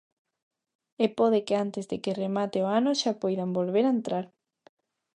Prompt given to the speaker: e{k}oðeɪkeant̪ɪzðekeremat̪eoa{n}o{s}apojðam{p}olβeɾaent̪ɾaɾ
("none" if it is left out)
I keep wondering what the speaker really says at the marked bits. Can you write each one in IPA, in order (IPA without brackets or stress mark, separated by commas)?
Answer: p, n, ʃ, b